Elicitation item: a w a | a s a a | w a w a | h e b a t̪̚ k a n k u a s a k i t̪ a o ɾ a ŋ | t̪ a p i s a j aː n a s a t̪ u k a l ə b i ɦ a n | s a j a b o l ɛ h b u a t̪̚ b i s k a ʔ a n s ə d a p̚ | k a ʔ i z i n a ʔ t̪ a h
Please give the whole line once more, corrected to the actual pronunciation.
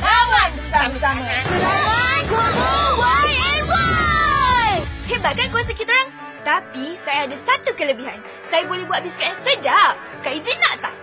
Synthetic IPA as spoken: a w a | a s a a | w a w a | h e b a t̪̚ k a n k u a s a k i t̪ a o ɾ a ŋ | t̪ a p i s a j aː d a s a t̪ u k ə l ə b i ɦ a n | s a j a b o l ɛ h b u a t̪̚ b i s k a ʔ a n s ə d a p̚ | k a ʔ i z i n a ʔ t̪ a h